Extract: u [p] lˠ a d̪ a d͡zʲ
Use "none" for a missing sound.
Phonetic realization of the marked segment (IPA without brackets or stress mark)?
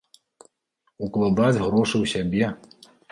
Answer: k